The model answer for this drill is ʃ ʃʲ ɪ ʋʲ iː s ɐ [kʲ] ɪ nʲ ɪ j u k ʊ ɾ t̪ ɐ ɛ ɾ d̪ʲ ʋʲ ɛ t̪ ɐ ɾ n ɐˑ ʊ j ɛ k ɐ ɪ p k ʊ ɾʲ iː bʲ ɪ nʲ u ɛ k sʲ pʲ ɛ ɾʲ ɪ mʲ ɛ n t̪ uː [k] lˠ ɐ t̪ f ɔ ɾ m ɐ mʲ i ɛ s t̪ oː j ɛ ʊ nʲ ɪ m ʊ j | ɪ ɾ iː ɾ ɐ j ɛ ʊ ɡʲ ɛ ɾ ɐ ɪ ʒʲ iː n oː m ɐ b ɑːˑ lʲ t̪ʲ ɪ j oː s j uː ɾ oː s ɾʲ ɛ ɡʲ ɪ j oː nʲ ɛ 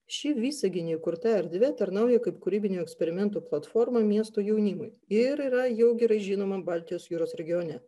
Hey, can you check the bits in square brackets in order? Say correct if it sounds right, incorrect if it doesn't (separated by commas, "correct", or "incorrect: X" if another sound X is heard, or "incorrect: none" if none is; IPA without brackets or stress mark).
incorrect: ɡʲ, incorrect: p